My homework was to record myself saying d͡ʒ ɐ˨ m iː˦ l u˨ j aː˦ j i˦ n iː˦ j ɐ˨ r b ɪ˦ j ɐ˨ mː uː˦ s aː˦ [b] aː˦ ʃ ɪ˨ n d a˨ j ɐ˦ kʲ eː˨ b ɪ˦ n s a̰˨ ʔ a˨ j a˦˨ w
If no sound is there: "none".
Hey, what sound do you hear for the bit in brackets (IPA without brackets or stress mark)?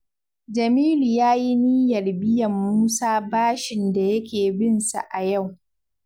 b